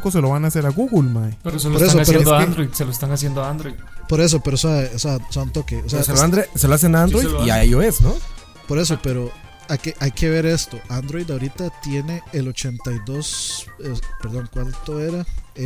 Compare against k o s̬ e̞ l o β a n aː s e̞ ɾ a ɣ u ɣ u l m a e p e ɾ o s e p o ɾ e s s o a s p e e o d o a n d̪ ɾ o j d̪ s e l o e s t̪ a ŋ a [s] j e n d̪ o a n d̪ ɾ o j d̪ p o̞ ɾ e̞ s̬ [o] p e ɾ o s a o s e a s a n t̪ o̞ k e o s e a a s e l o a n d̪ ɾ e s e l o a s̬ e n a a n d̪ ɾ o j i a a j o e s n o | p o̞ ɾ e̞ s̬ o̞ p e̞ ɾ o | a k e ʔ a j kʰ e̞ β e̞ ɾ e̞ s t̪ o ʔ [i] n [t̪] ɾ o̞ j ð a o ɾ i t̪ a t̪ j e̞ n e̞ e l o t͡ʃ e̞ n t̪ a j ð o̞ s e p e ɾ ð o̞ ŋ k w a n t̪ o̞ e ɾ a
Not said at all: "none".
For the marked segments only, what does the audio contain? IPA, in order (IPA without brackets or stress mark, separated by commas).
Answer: s, o, a, d̪